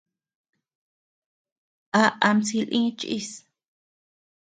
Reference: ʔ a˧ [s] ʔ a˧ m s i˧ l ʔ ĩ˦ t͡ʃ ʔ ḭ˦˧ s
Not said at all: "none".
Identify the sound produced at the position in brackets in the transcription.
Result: none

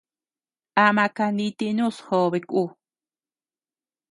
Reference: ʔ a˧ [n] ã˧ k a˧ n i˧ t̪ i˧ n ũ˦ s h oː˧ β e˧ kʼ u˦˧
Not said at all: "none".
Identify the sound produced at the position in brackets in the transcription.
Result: m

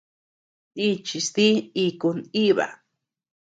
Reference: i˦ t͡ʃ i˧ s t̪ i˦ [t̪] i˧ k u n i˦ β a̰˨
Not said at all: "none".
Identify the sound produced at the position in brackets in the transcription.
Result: none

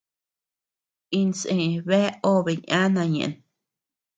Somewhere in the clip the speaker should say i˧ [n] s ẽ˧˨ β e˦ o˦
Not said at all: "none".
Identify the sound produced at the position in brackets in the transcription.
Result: n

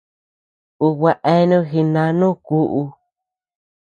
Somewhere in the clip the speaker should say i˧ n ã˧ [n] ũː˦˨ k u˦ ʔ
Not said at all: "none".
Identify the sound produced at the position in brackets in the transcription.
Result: n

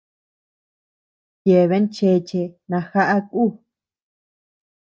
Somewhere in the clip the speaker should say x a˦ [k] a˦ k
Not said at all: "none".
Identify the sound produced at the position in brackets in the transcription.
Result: ʔ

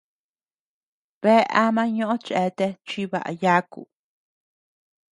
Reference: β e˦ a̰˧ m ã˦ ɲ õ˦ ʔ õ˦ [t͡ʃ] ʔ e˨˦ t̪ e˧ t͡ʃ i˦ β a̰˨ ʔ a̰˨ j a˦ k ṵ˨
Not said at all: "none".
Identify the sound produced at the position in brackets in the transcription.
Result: t͡ʃ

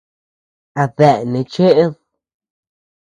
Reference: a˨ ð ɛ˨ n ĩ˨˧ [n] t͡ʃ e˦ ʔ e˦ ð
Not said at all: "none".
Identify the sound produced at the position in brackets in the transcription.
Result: none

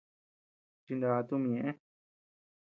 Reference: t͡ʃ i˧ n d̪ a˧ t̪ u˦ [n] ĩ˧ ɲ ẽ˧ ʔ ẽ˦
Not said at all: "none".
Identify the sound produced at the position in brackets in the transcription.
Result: m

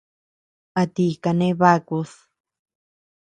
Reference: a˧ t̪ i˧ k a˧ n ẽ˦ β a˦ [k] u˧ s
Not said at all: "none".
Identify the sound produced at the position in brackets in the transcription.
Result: k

